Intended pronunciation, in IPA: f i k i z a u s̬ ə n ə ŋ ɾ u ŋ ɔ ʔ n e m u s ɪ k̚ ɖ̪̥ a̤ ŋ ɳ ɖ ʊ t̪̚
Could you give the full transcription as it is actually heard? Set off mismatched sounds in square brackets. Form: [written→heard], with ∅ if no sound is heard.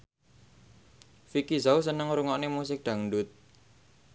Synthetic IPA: f i k i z a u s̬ ə n ə ŋ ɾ u ŋ ɔ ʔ n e m u s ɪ k̚ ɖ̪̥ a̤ ŋ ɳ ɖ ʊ t̪̚